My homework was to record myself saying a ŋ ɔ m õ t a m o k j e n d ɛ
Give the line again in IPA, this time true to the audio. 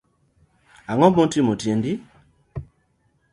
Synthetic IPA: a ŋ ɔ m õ t i m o t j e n d i